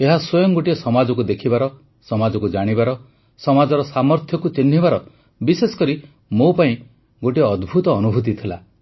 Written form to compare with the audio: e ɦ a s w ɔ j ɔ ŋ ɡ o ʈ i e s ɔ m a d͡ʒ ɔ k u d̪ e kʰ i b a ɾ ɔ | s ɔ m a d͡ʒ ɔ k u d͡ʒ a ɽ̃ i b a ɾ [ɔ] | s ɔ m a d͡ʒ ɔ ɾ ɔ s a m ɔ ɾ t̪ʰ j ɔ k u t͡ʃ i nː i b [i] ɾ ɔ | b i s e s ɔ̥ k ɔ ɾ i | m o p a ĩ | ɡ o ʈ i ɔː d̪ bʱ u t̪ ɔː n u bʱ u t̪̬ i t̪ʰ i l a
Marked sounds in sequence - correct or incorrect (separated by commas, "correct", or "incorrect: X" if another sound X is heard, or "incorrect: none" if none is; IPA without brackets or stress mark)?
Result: correct, incorrect: a